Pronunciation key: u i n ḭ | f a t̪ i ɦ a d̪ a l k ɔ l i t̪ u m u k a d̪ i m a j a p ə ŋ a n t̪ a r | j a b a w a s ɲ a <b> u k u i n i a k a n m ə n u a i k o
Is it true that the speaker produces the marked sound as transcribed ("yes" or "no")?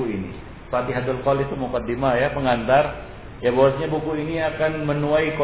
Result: yes